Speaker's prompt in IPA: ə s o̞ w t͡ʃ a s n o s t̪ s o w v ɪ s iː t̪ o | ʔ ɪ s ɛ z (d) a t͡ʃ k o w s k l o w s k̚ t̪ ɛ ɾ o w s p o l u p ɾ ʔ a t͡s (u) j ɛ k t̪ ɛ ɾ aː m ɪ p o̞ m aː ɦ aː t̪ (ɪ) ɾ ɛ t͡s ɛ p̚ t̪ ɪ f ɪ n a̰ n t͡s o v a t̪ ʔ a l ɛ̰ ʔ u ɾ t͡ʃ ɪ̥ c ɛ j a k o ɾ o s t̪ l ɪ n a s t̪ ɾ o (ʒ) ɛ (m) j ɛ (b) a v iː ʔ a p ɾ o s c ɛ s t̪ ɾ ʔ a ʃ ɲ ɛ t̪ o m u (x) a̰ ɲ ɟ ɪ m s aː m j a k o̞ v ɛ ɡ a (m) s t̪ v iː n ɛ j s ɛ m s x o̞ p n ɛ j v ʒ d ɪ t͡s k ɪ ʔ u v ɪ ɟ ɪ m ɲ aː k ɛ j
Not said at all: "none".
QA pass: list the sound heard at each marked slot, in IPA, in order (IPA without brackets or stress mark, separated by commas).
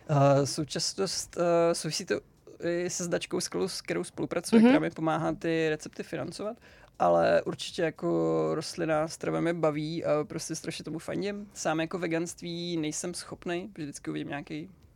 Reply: d, u, ɪ, v, m, b, f, n